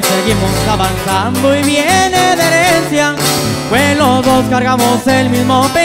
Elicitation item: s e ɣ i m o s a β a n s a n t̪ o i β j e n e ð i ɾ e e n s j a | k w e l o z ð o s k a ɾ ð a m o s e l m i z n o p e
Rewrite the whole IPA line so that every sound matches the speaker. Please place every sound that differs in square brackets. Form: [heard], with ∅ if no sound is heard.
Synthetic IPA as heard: s e ɣ i m o s a β a n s a n [d̪] o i β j e n e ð [e] ɾ e e n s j a | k w e l o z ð o s k a ɾ [ɣ] a m o s e l m i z [m] o p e